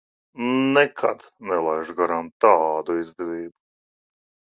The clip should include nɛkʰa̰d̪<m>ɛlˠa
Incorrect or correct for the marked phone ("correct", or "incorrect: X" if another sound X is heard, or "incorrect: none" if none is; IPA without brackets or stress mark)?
incorrect: n